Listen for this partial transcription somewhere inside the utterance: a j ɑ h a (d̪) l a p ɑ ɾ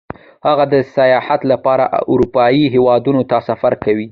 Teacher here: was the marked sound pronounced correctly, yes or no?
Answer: no